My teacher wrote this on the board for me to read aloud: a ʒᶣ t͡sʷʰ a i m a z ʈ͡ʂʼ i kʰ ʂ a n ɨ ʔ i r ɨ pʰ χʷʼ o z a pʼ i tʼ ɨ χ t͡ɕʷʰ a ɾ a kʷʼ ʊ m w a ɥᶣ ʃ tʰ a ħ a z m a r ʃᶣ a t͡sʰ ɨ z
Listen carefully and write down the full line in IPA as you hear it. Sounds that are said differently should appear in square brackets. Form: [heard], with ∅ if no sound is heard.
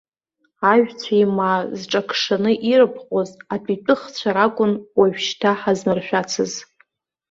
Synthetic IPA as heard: a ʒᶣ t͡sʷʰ a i m a z ʈ͡ʂʼ [a] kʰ ʂ a n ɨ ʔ i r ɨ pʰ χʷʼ o z a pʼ i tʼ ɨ χ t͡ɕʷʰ a ɾ a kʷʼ ʊ [n] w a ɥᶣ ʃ tʰ a ħ a z m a r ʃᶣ a t͡sʰ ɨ z

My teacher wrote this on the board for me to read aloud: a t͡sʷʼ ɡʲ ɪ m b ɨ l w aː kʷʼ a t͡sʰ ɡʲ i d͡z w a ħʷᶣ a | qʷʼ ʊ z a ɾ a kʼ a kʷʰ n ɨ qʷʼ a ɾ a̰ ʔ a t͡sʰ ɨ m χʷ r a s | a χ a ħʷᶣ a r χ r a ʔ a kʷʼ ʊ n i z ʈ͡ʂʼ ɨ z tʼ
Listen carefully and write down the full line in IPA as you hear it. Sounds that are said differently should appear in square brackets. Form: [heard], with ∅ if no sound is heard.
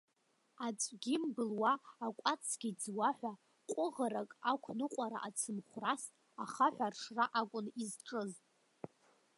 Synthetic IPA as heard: a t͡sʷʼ ɡʲ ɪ m b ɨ l w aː kʷʼ a t͡sʰ ɡʲ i d͡z w a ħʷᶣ a | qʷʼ ʊ [ʁ] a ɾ a kʼ a kʷʰ n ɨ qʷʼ a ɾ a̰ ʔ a t͡sʰ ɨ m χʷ r a s | a χ a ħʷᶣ a r [ʂ] r a ʔ a kʷʼ ʊ n i z ʈ͡ʂʼ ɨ z tʼ

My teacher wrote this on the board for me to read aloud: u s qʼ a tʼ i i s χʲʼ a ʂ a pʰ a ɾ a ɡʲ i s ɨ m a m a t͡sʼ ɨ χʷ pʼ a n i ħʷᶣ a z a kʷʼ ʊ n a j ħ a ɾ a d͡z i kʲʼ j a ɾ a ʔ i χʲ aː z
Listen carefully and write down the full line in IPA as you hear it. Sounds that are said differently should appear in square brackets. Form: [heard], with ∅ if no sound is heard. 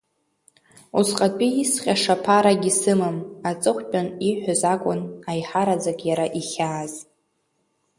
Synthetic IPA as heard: u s qʼ a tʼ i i s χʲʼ a ʂ a pʰ a ɾ a ɡʲ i s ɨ m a m a t͡sʼ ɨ χʷ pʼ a n i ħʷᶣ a z a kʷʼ ʊ n a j ħ a ɾ a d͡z [a] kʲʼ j a ɾ a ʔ i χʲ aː z

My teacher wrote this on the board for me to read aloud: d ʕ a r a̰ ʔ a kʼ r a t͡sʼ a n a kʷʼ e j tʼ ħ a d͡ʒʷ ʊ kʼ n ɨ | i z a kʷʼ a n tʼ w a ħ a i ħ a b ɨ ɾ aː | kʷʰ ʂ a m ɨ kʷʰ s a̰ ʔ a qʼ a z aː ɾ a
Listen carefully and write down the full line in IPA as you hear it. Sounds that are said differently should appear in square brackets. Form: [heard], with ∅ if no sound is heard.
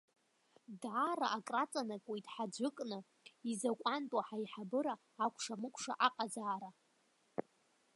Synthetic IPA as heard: d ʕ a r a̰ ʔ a kʼ r a t͡sʼ a n a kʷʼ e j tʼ ħ a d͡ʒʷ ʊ kʼ n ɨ | i z a kʷʼ a n tʼ w a ħ a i ħ a b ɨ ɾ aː | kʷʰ ʂ a m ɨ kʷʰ [ʂ] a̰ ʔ a qʼ a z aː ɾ a

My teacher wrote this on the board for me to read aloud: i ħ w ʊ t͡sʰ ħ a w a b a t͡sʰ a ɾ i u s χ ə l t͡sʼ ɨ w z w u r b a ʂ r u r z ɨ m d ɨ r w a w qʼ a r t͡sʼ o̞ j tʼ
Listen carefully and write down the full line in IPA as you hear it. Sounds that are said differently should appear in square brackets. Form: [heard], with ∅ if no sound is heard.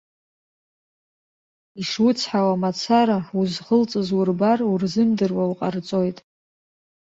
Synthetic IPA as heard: i [ʂ] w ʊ t͡sʰ ħ a w a [m] a t͡sʰ a ɾ [a] u [z] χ ə l t͡sʼ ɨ [∅] z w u r b a [∅] r u r z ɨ m d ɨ r w a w qʼ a r t͡sʼ o̞ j tʼ

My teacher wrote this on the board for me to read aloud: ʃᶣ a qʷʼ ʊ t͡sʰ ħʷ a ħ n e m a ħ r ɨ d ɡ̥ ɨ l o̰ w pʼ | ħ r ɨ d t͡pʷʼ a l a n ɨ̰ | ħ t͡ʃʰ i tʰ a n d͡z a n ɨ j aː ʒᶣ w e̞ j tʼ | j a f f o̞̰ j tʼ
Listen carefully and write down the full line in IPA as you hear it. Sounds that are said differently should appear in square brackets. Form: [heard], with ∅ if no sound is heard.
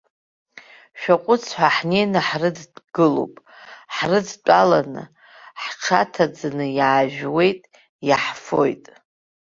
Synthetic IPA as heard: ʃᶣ a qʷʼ ʊ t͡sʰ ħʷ a ħ n e [n] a ħ r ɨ d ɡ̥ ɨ l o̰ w pʼ | ħ r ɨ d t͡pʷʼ a l a n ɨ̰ | ħ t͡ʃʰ [a] tʰ a [∅] d͡z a n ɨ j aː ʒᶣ w e̞ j tʼ | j a [ħ] f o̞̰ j tʼ

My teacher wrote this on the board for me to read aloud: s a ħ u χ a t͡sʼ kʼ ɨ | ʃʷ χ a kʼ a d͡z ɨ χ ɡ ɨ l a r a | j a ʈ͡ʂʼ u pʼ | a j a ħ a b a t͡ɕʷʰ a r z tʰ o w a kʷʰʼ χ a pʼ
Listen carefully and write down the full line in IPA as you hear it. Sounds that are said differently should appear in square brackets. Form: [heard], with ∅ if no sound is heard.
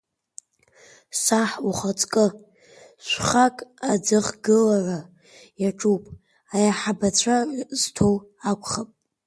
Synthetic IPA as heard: s a ħ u χ a t͡sʼ kʼ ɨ | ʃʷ χ a kʼ a d͡z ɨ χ ɡ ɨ l a r a | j a ʈ͡ʂʼ u pʼ | a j a ħ a b a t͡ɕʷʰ a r z tʰ o w a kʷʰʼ χ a pʼ

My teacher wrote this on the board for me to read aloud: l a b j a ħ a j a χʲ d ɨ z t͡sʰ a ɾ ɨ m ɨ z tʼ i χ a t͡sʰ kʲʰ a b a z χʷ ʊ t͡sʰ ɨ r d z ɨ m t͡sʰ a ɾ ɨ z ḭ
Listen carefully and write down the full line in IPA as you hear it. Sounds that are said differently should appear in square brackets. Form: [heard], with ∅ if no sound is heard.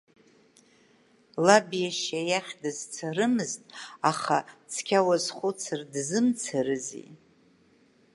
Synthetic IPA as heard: l a b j a [ʃ] a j a χʲ d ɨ z t͡sʰ a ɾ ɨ m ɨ z tʼ [a] χ a t͡sʰ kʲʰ a [w] a z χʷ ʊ t͡sʰ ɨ r d z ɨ m t͡sʰ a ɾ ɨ z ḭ

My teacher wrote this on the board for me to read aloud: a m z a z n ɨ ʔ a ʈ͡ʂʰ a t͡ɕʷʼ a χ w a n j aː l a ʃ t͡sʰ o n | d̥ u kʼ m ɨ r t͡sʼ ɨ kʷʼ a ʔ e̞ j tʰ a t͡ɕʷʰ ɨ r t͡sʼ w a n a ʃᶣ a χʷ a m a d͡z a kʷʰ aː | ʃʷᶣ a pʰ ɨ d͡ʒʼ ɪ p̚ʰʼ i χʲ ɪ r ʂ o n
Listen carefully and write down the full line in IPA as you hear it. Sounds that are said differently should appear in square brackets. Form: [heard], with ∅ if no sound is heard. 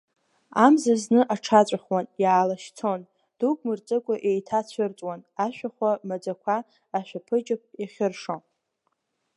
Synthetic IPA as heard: a m z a z n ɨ ʔ a ʈ͡ʂʰ a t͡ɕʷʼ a χ w a n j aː l a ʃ t͡sʰ o n | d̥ u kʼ m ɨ r t͡sʼ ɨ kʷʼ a ʔ e̞ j tʰ a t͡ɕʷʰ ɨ r t͡sʼ w a n a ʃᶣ a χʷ a m a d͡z a kʷʰ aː | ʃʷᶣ a pʰ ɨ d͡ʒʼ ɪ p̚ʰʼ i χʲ ɪ r ʂ o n

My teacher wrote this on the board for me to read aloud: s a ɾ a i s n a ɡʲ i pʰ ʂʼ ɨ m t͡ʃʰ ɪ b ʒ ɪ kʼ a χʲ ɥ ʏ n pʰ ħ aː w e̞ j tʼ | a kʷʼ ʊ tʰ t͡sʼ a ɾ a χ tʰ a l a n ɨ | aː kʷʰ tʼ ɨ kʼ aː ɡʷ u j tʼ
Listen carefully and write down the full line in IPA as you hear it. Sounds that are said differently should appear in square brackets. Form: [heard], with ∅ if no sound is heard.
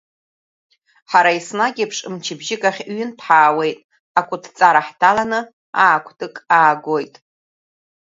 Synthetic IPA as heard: [ħ] a ɾ a i s n a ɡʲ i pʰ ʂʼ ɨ m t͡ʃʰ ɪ b ʒ ɪ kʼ a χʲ ɥ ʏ n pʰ ħ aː w e̞ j tʼ | a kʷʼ ʊ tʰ t͡sʼ a ɾ a [ħ] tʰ a l a n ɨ | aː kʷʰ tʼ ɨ kʼ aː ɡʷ [o] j tʼ

